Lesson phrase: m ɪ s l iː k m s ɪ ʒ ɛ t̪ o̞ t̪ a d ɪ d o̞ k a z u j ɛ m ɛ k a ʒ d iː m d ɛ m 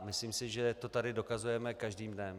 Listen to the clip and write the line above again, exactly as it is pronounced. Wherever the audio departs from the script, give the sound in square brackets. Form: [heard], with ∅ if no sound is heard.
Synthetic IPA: m ɪ s l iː [∅] m s ɪ ʒ ɛ t̪ o̞ t̪ a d ɪ d o̞ k a z u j ɛ m ɛ k a ʒ d iː m d ɛ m